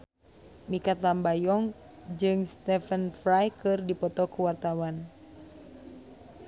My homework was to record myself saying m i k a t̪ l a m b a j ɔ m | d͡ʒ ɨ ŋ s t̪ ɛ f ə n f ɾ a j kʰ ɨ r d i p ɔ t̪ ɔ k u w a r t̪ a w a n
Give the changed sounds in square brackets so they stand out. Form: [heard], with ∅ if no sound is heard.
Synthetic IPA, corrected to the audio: m i k a t̪ l a m b a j ɔ [ŋ] | d͡ʒ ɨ ŋ s t̪ ɛ f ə n f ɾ a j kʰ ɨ r d i p ɔ t̪ ɔ k u w a r t̪ a w a n